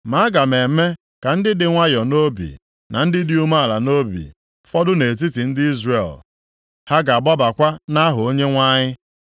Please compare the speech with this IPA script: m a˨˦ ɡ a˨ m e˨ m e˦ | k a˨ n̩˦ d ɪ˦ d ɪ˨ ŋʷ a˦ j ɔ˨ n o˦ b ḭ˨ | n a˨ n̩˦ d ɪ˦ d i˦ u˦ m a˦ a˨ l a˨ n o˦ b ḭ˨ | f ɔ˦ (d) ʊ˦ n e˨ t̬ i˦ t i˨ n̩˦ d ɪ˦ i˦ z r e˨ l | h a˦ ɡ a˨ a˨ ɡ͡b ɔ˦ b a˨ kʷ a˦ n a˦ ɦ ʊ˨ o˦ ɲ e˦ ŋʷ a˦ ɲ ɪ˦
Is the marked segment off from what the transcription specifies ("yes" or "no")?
no